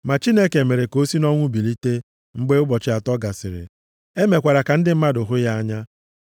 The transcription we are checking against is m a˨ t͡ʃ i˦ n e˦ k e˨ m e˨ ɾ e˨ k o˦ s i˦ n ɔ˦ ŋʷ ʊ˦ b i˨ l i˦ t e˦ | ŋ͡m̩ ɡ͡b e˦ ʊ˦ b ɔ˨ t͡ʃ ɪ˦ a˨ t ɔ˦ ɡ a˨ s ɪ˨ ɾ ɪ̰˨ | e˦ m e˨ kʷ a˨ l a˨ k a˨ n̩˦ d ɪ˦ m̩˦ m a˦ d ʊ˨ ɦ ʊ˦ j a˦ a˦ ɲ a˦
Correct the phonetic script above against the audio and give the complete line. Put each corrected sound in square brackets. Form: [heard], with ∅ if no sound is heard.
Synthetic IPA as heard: m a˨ t͡ʃ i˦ n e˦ k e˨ m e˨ ɾ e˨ k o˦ s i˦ n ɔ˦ ŋʷ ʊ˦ b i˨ l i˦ t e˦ | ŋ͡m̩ ɡ͡b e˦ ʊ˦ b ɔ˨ t͡ʃ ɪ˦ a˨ t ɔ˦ ɡ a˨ s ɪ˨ ɾ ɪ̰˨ | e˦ m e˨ kʷ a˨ [ɾ] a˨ k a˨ n̩˦ d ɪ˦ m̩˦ m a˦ d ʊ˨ ɦ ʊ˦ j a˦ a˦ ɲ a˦